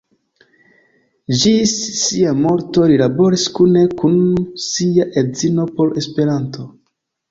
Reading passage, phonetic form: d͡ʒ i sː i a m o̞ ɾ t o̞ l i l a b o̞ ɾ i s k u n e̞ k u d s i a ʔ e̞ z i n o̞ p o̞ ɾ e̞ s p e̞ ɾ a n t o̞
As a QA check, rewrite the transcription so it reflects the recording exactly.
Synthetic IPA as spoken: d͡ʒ i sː i a m o̞ ɾ t o̞ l i l a b o̞ ɾ i s k u n e̞ k u n s i a ʔ e̞ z i n o̞ p o̞ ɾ e̞ s p e̞ ɾ a n t o̞